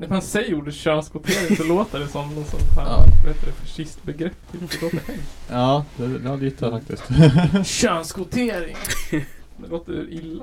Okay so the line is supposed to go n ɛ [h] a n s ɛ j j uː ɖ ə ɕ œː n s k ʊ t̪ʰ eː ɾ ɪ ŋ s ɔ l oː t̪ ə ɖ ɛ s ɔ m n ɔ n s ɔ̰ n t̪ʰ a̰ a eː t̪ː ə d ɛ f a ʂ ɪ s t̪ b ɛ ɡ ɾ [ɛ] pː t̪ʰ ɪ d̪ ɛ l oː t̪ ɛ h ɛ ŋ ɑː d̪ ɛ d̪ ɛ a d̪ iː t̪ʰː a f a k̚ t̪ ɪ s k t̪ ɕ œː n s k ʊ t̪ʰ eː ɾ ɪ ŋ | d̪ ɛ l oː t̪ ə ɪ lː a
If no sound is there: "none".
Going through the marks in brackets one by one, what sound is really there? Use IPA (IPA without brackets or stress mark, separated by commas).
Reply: f, ɛ